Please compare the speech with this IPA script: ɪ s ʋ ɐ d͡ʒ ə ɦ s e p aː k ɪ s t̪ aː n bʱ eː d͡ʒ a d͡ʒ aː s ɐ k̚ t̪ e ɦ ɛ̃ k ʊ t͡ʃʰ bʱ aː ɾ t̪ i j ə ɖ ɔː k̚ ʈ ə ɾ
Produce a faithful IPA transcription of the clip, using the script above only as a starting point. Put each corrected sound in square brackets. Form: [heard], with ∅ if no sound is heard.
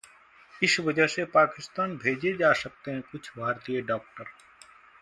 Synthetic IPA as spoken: ɪ s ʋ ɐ d͡ʒ ə ɦ s e p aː k ɪ s t̪ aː n bʱ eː d͡ʒ [e] d͡ʒ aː s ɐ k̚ t̪ e ɦ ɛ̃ k ʊ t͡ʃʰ bʱ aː ɾ t̪ i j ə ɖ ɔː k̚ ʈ ə ɾ